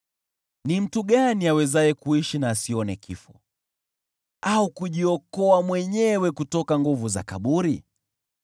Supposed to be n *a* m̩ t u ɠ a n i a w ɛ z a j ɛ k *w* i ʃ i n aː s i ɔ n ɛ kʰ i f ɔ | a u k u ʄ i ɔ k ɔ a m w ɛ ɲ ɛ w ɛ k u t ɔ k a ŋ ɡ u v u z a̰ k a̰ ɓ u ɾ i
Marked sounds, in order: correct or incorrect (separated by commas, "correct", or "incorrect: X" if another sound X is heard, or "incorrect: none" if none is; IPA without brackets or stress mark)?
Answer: incorrect: i, incorrect: u